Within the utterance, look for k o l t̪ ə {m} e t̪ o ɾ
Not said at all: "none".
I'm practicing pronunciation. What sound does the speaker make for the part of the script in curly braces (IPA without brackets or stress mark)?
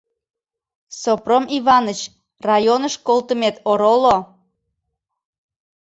m